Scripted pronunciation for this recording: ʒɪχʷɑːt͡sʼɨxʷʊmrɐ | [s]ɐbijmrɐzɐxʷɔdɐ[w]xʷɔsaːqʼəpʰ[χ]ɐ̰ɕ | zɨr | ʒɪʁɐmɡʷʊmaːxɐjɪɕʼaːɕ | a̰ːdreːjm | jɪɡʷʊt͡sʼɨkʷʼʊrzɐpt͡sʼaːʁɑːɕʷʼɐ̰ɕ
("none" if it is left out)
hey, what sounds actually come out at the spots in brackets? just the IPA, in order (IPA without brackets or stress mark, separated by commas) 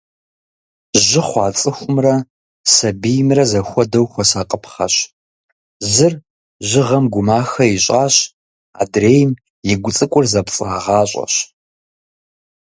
s, w, χ